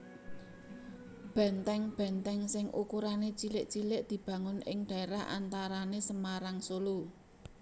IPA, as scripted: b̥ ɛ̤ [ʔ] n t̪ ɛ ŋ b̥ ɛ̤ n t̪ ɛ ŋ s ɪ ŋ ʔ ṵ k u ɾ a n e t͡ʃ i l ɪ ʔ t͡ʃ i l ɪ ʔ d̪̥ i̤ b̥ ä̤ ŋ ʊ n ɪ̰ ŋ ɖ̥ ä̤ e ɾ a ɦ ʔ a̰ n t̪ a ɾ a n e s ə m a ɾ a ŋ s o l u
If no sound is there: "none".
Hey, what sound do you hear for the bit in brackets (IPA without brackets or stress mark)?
none